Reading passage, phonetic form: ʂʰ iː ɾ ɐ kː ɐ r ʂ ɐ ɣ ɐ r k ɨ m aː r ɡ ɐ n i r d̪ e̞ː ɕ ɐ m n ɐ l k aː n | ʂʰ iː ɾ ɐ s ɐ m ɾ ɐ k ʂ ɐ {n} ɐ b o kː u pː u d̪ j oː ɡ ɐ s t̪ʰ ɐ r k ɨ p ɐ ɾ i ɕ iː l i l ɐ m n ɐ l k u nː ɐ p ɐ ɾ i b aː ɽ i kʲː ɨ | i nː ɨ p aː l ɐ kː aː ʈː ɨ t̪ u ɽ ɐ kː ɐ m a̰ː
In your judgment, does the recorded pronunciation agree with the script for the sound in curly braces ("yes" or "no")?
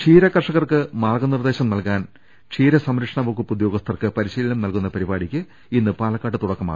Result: no